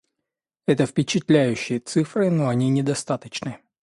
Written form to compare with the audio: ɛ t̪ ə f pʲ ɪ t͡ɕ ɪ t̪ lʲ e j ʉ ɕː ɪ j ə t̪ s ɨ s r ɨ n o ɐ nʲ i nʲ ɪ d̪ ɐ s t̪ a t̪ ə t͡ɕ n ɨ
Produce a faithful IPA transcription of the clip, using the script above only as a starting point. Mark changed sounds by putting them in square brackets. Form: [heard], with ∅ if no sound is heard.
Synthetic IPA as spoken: ɛ t̪ ə f pʲ ɪ t͡ɕ ɪ t̪ lʲ [æ] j ʉ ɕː ɪ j ə t̪ s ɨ [f] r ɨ n o ɐ nʲ i nʲ ɪ d̪ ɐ s t̪ a t̪ ə t͡ɕ n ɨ